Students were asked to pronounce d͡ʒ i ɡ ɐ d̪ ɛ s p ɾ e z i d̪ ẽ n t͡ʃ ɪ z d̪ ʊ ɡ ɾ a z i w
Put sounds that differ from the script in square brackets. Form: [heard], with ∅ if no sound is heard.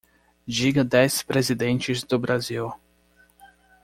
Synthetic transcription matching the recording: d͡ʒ i ɡ ɐ d̪ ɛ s p ɾ e z i d̪ ẽ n t͡ʃ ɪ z d̪ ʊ [b] ɾ a z i w

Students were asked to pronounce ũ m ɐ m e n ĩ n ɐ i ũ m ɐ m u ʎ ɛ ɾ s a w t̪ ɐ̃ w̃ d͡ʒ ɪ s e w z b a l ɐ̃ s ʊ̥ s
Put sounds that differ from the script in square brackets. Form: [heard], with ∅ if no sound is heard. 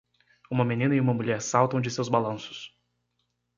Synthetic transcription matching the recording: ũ m ɐ m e n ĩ n ɐ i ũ m ɐ m u ʎ ɛ ɾ s a w t̪ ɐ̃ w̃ d͡ʒ ɪ s e w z b a l ɐ̃ s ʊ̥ s

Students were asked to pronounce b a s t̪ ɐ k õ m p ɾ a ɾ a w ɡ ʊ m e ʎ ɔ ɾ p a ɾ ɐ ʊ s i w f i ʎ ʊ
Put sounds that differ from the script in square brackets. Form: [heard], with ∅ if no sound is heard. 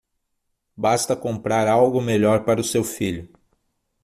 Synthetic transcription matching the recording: b a s t̪ ɐ k õ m p ɾ a ɾ a w ɡ ʊ m e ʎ ɔ ɾ p a ɾ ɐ ʊ s [e] w f i ʎ ʊ

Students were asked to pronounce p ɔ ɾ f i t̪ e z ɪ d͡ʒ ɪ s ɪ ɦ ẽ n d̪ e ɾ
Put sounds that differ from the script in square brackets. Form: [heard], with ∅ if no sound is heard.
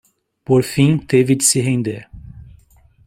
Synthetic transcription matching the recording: p [o] ɾ f [ĩ] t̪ e [v] ɪ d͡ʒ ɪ s ɪ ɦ ẽ n d̪ e ɾ

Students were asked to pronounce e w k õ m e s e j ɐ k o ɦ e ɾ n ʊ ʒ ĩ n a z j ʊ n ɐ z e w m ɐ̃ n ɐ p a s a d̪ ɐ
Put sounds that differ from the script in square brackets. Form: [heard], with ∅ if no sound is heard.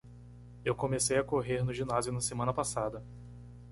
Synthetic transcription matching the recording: e w k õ m e s e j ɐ k o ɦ e ɾ n ʊ ʒ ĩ n a z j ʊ n ɐ [s] e [∅] m ɐ̃ n ɐ p a s a d̪ ɐ

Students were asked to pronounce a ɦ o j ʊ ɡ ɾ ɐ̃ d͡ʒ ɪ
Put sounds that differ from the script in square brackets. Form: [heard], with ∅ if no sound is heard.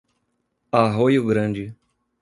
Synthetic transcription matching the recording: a ɦ o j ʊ ɡ ɾ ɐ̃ d͡ʒ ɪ

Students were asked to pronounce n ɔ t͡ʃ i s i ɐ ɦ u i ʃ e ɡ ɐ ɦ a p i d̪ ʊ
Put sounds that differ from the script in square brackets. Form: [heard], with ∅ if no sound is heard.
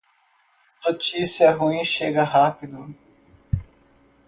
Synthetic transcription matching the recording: n [o] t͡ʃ i s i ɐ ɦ u [ĩ] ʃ e ɡ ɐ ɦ a p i d̪ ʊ

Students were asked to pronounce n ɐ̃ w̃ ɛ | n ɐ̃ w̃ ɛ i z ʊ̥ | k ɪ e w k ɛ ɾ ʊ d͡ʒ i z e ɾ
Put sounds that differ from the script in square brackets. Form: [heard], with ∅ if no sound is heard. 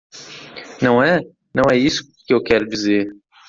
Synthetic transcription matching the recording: n ɐ̃ w̃ ɛ | n ɐ̃ w̃ ɛ i [s] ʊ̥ | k ɪ e w k ɛ ɾ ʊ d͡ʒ i z e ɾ

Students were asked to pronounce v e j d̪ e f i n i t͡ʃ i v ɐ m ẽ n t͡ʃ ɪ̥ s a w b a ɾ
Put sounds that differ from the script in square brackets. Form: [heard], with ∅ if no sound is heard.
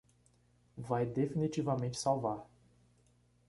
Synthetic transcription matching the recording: v [a] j d̪ e f i n i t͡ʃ i v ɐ m ẽ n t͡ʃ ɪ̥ s a w [v] a ɾ

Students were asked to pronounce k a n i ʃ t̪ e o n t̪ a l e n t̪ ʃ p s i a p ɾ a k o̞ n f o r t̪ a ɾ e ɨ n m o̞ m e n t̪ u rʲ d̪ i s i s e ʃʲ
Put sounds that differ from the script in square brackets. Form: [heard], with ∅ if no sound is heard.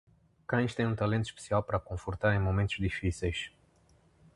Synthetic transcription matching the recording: k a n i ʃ t̪ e [u] n t̪ a l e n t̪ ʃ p s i a p ɾ a k o̞ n f o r t̪ a ɾ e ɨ n m o̞ m e n t̪ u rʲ d̪ i [f] i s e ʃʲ

